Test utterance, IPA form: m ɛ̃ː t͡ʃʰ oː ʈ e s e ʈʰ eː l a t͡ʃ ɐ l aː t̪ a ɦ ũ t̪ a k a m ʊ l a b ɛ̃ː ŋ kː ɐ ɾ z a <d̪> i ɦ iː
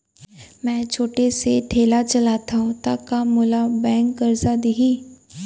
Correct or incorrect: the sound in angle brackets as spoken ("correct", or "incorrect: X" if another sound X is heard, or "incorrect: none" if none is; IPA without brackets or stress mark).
correct